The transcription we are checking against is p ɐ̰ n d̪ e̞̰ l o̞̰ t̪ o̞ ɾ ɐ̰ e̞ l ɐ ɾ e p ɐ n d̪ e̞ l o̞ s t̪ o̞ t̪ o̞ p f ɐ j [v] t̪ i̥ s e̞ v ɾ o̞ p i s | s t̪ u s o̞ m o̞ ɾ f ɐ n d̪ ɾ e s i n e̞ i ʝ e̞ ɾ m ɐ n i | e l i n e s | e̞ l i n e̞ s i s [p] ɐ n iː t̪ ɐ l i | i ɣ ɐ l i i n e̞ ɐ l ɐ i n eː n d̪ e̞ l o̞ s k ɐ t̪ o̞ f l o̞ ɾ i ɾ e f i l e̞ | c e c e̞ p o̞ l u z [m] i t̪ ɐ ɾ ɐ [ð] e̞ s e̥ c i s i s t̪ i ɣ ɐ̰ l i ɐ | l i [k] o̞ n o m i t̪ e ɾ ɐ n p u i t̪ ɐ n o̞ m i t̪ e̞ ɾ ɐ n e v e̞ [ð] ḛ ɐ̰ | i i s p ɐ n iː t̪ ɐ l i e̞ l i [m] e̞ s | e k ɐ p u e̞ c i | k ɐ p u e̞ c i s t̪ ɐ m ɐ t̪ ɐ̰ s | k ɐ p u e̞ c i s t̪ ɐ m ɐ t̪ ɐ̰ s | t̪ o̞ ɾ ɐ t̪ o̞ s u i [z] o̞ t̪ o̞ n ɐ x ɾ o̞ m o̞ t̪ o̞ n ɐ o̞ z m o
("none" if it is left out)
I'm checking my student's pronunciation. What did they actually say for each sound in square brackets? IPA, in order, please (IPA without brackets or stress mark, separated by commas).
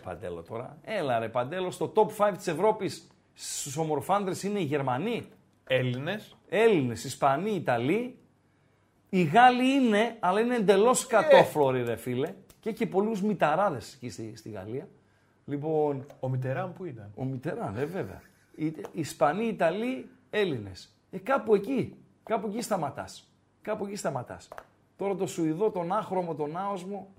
v, p, m, ð, p, v, n, ð